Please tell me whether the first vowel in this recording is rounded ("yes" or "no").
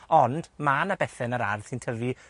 yes